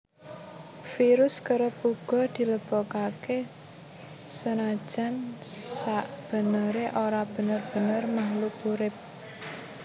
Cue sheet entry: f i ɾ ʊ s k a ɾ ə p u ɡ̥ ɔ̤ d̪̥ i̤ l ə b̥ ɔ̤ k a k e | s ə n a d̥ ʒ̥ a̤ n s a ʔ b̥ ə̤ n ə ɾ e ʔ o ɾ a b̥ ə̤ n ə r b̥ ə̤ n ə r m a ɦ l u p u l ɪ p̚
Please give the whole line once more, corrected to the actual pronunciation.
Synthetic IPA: f i ɾ ʊ s k ə ɾ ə p u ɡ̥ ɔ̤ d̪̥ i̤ l ə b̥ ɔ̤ k a k e | s ə n a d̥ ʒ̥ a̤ n s a ʔ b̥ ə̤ n ə ɾ e ʔ o ɾ a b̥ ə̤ n ə r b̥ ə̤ n ə r m a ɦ l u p u ɾ ɪ p̚